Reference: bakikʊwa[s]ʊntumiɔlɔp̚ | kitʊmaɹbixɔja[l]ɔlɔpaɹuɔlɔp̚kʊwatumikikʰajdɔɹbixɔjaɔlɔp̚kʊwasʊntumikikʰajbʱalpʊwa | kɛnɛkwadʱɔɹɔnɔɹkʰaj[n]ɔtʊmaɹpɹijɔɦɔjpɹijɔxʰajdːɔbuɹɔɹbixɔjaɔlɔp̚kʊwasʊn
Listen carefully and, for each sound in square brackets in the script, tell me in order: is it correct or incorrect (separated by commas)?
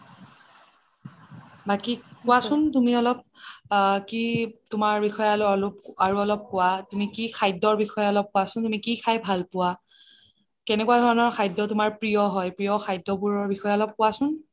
correct, correct, incorrect